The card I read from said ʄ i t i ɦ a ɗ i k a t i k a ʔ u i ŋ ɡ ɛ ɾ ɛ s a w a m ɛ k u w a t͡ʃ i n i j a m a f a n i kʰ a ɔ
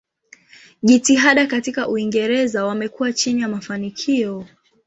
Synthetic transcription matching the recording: ʄ i t i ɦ a ɗ a k a t i k a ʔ u i ŋ ɡ ɛ ɾ ɛ z a w a m ɛ k u w a t͡ʃ i n i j a m a f a n i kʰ i ɔ